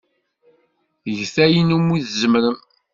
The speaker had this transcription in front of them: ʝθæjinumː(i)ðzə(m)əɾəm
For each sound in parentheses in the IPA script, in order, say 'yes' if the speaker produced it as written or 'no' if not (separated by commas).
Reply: yes, yes